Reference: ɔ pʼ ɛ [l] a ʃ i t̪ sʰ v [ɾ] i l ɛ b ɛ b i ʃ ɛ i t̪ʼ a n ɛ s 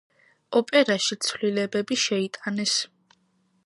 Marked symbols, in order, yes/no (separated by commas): no, no